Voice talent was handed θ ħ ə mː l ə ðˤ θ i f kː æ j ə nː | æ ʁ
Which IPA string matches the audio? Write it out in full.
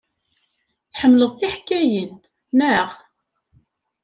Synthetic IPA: θ ħ ə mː l ə ðˤ θ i ħ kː æ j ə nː | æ ʁ